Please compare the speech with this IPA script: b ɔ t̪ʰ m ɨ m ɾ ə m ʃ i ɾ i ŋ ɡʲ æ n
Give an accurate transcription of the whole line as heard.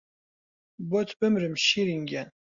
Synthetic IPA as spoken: b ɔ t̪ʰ b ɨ m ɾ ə m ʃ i ɾ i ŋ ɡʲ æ n